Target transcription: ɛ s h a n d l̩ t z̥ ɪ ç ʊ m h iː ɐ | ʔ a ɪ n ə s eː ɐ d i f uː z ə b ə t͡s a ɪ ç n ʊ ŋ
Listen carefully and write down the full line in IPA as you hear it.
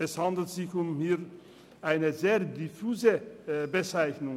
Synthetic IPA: ɛ s h a n d l̩ t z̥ ɪ ç ʊ m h iː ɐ | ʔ a ɪ n ə z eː ɐ d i f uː z ə b ə t͡s a ɪ ç n ʊ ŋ